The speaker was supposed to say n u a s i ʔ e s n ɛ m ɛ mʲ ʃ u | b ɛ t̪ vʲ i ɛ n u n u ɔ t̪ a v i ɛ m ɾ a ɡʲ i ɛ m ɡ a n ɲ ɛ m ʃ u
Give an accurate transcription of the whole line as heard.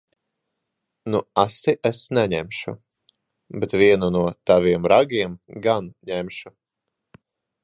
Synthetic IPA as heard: n u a s i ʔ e s n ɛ ɲ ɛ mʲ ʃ u | b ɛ t̪ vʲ i ɛ n u n u ɔ t̪ a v i ɛ m ɾ a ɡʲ i ɛ m ɡ a n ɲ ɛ m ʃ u